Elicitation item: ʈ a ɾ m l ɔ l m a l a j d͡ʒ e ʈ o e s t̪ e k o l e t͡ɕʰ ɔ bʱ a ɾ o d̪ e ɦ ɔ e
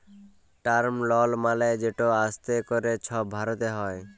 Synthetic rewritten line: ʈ a ɾ m l ɔ l m a l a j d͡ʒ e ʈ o a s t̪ e k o ɾ e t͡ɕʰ ɔ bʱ a ɾ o t̪ e ɦ ɔ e